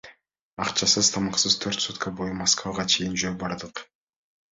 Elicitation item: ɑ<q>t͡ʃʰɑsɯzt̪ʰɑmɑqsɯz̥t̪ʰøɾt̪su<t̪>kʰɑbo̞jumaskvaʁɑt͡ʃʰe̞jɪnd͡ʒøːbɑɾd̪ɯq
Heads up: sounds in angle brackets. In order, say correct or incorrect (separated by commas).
correct, correct